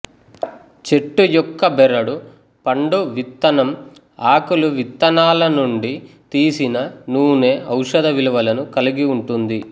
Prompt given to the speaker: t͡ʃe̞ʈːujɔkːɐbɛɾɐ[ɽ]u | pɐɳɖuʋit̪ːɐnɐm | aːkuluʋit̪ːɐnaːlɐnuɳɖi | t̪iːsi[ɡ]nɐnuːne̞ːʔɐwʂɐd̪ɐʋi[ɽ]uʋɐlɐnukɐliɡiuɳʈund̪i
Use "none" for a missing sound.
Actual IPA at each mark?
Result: ɽ, none, l

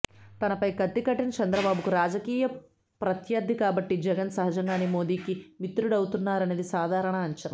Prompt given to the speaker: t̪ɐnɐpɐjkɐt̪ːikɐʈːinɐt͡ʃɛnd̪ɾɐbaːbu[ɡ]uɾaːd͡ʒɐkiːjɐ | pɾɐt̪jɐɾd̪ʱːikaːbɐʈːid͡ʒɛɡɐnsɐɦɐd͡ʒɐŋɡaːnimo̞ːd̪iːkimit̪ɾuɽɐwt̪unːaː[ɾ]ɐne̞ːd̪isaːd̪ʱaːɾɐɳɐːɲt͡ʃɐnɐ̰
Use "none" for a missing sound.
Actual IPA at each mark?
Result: k, ɾ

